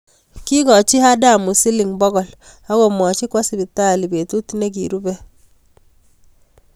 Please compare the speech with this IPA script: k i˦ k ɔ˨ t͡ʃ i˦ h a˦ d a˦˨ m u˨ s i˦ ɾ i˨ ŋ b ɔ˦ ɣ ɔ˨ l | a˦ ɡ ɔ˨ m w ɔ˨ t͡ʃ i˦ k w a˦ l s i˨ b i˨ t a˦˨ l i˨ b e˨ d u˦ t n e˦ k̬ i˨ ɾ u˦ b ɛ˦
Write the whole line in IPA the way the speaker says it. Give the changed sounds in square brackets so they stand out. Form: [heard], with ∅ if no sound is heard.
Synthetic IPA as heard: k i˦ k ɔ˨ t͡ʃ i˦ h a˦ d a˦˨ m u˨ s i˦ [l] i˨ ŋ b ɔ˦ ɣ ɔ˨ l | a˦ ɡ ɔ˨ m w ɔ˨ t͡ʃ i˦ k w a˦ [∅] s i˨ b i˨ t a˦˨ l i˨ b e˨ [t] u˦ t n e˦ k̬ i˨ ɾ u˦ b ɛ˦

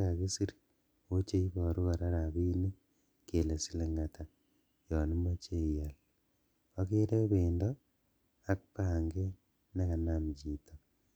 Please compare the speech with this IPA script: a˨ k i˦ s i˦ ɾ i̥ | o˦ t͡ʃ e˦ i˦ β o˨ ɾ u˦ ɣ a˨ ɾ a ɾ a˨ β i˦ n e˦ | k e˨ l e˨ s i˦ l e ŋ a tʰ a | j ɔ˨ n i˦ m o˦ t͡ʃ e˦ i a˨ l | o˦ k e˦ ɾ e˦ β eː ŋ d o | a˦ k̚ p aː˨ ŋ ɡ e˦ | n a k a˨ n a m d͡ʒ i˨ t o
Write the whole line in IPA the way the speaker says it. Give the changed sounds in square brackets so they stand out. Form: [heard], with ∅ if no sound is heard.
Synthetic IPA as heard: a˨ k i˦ s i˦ ɾ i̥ | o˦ t͡ʃ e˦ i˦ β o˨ ɾ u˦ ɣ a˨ ɾ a ɾ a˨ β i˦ n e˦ | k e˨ l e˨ s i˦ l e ŋ a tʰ a | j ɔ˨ n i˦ m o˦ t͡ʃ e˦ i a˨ l | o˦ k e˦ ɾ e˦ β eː [n] d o | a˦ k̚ p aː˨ ŋ ɡ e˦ | n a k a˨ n a m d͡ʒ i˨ t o

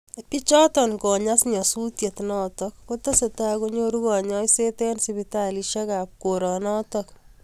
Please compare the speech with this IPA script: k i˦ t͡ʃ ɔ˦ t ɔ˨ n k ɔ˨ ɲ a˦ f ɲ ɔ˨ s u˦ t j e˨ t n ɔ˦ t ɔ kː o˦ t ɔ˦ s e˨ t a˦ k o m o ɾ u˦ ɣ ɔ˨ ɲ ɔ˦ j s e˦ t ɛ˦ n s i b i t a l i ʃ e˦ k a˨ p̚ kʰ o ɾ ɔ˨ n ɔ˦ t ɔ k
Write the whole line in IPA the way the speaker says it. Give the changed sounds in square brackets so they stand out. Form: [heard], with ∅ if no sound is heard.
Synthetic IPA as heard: [p] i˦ t͡ʃ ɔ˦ t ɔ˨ n k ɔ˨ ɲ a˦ [s] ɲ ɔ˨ s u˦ t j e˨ t n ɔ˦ t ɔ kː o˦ t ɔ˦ s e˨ t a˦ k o [ɲ] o ɾ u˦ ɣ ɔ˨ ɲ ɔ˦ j s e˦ t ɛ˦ n s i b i t a l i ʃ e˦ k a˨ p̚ [k] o ɾ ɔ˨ n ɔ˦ t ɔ k

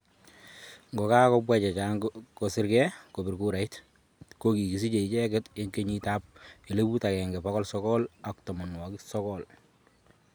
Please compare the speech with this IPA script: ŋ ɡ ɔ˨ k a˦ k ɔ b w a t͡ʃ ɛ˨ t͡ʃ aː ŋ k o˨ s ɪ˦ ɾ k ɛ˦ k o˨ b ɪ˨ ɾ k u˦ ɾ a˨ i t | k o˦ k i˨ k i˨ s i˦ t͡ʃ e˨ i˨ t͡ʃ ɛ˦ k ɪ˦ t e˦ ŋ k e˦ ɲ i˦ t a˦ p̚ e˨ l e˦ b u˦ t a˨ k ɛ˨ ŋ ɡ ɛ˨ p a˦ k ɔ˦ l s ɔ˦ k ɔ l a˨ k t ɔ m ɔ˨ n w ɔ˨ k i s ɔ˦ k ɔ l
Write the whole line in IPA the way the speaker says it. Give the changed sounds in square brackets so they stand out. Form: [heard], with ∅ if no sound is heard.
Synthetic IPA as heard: ŋ ɡ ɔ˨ k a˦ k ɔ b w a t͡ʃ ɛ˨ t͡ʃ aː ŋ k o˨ s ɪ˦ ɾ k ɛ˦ k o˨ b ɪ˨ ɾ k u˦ ɾ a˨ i t | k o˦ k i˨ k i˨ s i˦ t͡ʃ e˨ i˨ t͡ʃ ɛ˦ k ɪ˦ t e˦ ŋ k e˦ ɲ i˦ t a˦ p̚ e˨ l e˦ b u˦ t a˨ k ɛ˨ ŋ ɡ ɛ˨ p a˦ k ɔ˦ l s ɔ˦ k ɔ l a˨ k t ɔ m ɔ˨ n w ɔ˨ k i s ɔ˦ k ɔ l

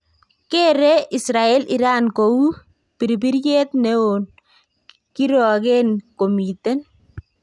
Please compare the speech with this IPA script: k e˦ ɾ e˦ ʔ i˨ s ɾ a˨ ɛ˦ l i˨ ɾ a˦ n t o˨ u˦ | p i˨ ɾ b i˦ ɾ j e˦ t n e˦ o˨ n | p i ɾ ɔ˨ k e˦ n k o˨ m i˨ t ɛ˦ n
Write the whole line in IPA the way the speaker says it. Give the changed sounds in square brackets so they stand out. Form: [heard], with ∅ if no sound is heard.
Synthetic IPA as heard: k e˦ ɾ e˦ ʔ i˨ s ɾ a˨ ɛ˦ l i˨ ɾ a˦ n [k] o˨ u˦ | p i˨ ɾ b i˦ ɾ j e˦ t n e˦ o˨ n | [k] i ɾ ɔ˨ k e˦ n k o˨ m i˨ t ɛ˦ n

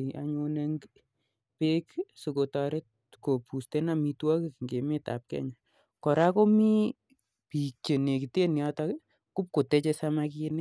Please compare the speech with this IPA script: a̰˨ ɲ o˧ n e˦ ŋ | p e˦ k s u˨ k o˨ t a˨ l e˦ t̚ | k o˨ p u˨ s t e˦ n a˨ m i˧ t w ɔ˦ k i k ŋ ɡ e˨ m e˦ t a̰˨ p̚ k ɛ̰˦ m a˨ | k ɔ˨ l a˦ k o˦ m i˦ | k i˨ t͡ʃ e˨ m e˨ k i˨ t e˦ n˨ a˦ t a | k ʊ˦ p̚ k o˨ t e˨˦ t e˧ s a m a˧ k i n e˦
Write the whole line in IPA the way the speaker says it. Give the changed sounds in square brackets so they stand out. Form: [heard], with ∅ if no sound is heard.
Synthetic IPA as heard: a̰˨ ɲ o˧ n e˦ ŋ | p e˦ k s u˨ k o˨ t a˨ [ɾ] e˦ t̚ | k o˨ p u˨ s t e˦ n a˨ m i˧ t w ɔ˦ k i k ŋ ɡ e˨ m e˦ t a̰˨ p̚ k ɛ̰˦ [ɲ] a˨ | k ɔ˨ [ɾ] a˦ k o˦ m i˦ | [p] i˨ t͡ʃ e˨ [n] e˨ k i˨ t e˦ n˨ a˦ t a | k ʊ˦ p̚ k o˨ t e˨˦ [t͡ʃ] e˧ s a m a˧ k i n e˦

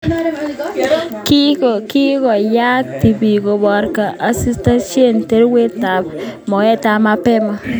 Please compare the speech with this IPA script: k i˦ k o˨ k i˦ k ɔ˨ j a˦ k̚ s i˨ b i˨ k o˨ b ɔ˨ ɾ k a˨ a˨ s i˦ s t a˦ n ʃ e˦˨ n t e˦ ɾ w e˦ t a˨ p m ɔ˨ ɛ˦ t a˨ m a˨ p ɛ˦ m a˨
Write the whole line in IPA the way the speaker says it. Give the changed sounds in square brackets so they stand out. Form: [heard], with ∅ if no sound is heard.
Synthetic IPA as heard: k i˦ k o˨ k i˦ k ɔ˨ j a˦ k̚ [t] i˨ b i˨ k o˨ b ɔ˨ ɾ k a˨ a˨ s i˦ s t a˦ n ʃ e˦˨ n t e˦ ɾ w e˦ t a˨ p m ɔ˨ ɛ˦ t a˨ m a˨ p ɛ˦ m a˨

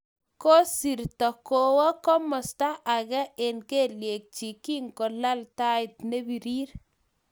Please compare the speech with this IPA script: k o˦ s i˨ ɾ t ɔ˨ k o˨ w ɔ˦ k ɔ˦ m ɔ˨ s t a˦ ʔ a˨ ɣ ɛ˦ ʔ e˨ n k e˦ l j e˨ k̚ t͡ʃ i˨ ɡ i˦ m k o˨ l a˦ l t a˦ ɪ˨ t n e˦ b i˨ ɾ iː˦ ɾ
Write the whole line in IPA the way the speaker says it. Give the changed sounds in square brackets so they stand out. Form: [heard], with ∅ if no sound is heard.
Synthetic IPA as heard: k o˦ s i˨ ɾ t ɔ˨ k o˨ w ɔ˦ k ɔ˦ m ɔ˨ s t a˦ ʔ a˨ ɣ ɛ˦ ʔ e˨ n k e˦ l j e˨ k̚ t͡ʃ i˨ [k] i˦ [ŋ] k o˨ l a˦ l t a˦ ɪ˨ t n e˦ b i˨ ɾ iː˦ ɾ

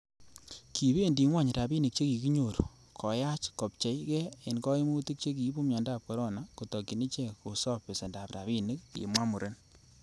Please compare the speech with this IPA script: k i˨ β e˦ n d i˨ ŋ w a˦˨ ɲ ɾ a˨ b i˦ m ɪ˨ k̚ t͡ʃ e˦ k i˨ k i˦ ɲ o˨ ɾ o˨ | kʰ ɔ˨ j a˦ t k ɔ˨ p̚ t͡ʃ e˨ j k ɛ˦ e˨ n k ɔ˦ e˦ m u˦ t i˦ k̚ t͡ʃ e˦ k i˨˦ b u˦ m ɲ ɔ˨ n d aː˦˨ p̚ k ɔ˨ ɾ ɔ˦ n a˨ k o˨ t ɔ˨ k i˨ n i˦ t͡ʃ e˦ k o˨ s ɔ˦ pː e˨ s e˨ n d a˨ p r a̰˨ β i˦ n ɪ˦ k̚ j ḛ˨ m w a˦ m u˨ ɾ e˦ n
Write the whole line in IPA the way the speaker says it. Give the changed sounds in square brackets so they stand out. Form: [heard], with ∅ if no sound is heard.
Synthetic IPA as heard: k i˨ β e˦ n d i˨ ŋ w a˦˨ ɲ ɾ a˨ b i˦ [n] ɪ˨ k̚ t͡ʃ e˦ k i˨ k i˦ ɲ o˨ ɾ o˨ | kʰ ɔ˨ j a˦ [t͡ʃ] k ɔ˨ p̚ t͡ʃ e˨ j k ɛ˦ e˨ n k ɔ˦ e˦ m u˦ t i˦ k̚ t͡ʃ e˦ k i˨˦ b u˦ m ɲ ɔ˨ n d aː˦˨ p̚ k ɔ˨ ɾ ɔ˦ n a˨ k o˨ t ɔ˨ k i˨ n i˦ t͡ʃ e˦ k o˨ s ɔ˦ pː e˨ s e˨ n d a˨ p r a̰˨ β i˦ n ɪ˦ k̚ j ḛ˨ m w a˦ m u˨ ɾ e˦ n

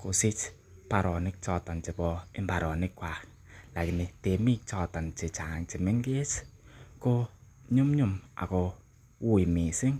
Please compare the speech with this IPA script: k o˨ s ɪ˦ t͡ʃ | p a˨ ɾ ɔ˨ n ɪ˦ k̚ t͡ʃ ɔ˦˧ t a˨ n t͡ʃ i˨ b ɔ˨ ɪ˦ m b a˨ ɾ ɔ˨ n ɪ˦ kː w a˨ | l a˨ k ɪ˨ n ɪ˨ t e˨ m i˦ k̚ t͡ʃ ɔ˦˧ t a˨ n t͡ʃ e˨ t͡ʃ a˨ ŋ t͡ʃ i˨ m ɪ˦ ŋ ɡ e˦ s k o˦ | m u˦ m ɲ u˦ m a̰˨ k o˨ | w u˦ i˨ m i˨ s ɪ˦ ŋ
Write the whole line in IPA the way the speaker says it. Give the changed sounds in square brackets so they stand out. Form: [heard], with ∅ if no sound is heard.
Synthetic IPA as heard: k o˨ s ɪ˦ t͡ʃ | p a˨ ɾ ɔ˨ n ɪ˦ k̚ t͡ʃ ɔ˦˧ t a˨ n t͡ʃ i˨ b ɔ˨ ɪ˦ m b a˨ ɾ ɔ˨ n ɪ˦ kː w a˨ | l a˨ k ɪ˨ n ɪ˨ t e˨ m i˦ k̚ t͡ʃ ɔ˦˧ t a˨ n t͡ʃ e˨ t͡ʃ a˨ ŋ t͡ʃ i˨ m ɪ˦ ŋ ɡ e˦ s k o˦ | [ɲ] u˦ m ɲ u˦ m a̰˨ k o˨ | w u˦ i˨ m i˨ s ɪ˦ ŋ

